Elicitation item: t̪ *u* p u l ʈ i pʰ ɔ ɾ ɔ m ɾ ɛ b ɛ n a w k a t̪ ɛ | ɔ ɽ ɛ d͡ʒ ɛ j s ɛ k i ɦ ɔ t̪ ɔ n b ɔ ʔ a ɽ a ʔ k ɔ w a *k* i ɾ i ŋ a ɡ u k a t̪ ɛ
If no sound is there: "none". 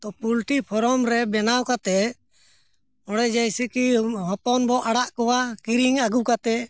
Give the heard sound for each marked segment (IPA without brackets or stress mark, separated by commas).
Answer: ɔ, k